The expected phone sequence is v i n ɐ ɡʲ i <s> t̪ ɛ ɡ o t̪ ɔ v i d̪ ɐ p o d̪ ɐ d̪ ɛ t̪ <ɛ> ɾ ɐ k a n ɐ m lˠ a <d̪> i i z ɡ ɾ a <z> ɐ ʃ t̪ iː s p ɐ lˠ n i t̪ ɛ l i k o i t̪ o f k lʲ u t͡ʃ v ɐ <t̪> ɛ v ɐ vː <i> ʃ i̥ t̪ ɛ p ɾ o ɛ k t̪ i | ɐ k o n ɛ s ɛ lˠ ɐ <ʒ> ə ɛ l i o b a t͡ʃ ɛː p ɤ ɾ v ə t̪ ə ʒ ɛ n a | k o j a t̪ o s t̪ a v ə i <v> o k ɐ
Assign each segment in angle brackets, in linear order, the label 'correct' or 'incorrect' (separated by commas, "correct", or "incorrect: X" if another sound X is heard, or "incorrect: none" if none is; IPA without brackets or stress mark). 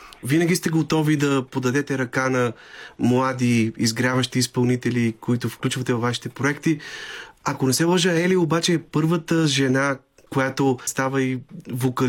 correct, correct, correct, incorrect: v, correct, incorrect: a, correct, correct